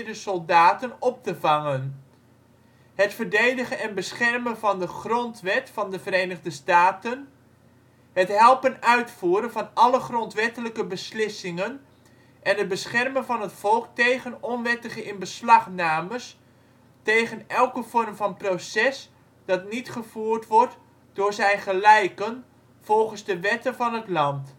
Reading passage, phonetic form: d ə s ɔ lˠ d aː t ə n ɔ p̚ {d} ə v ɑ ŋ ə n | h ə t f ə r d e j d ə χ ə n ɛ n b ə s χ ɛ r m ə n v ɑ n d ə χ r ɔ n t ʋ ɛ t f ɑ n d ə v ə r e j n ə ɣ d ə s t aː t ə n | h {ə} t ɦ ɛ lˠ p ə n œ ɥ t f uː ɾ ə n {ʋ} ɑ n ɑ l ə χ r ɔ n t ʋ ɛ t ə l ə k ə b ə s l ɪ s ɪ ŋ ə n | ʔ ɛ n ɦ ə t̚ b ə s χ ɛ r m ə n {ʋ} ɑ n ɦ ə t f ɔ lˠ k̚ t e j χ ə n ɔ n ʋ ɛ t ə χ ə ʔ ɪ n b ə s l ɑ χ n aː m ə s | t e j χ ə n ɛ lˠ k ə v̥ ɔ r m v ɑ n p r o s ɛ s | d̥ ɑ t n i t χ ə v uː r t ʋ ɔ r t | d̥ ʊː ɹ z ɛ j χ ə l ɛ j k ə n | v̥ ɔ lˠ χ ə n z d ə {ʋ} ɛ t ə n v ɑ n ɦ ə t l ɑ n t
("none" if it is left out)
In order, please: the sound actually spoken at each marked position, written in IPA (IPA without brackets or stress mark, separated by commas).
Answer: t, ə, v, v, ʋ